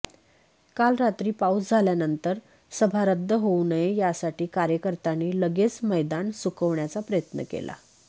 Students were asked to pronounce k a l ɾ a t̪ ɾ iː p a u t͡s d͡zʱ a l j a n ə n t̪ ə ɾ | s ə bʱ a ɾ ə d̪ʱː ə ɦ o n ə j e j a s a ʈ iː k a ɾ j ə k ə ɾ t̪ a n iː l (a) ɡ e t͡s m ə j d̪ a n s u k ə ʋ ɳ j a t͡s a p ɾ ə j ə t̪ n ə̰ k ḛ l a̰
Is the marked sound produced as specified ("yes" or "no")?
no